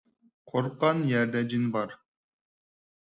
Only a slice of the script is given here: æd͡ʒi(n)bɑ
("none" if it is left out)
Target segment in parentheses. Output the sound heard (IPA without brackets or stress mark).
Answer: n